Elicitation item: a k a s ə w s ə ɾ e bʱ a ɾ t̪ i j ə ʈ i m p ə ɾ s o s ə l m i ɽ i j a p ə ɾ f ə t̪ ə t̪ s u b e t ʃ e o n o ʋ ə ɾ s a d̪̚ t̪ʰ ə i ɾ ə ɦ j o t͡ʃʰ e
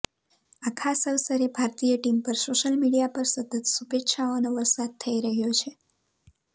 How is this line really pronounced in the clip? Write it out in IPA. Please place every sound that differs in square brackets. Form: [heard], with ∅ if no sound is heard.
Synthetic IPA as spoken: a [kʰ] a s ə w s ə ɾ e bʱ a ɾ t̪ i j ə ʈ i m p ə ɾ s o [ʃ] ə l m i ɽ i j a p ə ɾ [s] ə t̪ ə t̪ s u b e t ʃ [a] o n o ʋ ə ɾ s a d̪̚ t̪ʰ ə i ɾ ə ɦ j o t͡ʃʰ e